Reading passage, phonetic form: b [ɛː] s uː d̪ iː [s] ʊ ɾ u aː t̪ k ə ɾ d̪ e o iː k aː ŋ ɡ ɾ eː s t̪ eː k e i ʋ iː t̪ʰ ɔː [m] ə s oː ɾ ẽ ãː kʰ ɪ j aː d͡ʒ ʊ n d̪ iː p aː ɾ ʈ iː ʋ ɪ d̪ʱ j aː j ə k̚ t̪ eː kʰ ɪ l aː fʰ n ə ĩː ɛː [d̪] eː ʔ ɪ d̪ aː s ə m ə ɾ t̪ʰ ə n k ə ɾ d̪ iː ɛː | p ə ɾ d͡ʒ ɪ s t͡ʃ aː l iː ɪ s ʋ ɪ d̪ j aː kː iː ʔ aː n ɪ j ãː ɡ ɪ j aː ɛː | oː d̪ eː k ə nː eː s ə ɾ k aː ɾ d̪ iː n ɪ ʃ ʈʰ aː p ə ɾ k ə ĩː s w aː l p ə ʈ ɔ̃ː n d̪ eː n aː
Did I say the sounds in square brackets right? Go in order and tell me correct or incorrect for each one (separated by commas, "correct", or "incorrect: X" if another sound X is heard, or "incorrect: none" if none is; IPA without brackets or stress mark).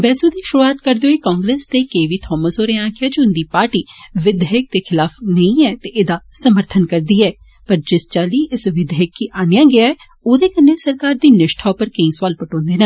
correct, incorrect: ʃ, correct, incorrect: t̪